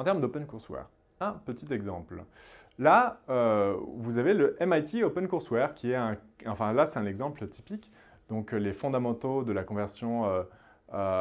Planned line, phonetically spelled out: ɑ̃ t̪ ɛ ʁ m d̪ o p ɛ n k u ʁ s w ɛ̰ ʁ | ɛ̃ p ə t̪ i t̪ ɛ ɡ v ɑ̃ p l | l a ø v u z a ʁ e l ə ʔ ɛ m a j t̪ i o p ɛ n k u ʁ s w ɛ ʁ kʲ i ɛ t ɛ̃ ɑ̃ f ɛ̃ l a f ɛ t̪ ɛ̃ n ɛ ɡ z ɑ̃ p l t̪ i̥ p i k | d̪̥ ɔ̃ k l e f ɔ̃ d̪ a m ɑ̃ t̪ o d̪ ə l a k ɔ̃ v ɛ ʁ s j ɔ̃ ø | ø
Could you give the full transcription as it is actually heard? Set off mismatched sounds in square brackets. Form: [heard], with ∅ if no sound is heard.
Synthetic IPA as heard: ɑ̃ t̪ ɛ ʁ m d̪ o p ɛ n k u ʁ s w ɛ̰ ʁ | ɛ̃ p ə t̪ i t̪ ɛ ɡ [z] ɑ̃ p l | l a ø v u z a [v] e l ə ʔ ɛ m a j t̪ i o p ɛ n k u ʁ s w ɛ ʁ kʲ i ɛ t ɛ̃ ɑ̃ f ɛ̃ l a [s] ɛ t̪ ɛ̃ n ɛ ɡ z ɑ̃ p l t̪ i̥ p i k | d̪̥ ɔ̃ k l e f ɔ̃ d̪ a m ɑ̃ t̪ o d̪ ə l a k ɔ̃ v ɛ ʁ s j ɔ̃ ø | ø

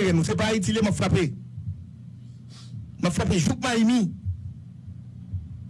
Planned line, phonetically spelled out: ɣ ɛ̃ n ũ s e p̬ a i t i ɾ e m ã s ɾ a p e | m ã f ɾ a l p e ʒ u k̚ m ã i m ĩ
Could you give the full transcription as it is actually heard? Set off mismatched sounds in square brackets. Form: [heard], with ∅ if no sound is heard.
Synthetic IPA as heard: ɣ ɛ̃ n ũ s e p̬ a i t i [l] e m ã [f] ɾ a p e | m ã f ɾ a [∅] p e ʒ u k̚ m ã i m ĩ

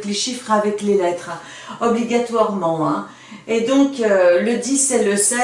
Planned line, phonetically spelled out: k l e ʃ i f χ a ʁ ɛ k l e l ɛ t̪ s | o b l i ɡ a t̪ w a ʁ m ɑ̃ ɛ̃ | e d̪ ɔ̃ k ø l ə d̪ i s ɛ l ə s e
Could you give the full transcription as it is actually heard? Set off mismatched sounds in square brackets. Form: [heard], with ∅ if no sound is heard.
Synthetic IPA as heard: k l e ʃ i f χ a [v] ɛ k l e l ɛ t̪ [χ] | [ɔ] b l i ɡ a t̪ w a ʁ m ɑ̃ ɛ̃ | e d̪ ɔ̃ k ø l ə d̪ i s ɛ l ə s [ɛ]

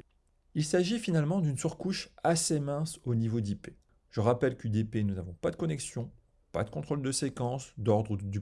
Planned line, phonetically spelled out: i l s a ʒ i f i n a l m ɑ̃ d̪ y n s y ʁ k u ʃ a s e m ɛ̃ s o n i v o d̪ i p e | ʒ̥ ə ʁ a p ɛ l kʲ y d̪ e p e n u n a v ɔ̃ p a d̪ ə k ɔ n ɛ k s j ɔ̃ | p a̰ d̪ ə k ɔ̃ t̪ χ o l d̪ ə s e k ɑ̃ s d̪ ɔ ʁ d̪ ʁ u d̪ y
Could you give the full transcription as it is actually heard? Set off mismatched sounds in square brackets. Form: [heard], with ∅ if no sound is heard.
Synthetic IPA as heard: i l s a ʒ i f i n a l m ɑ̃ d̪ y n s y ʁ k u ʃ a s e m ɛ̃ s o n i v o d̪ i p e | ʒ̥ ə ʁ a p ɛ l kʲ y d̪ e p e n u n a v ɔ̃ p a d̪ ə k ɔ n ɛ k s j ɔ̃ | p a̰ d̪ ə k ɔ̃ t̪ χ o l d̪ ə s e k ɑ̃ s d̪ ɔ ʁ d̪ ʁ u d̪ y

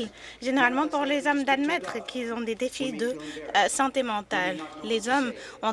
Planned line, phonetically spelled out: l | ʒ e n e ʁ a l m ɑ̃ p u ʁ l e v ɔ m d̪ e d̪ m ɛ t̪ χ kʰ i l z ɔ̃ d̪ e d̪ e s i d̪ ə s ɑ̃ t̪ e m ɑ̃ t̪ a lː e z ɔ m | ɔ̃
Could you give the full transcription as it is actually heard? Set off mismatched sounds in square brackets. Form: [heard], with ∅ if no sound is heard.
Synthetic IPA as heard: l | ʒ e n e ʁ a l m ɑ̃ p u ʁ l e [z] ɔ m d̪ [a] d̪ m ɛ t̪ χ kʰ i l z ɔ̃ d̪ e d̪ e [f] i d̪ ə s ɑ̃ t̪ e m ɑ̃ t̪ a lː e z ɔ m | ɔ̃

